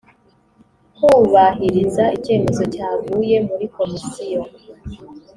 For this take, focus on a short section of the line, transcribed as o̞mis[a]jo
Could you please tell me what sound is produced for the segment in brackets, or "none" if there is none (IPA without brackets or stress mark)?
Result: i